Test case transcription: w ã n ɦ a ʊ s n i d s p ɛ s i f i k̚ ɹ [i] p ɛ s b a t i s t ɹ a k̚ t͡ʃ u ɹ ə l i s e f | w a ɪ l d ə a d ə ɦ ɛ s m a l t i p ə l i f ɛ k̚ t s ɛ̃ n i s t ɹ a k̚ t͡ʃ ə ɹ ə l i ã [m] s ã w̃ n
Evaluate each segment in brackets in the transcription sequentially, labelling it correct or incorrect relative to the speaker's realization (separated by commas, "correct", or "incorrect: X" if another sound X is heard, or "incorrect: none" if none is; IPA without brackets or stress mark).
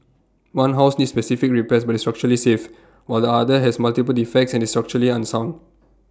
correct, incorrect: n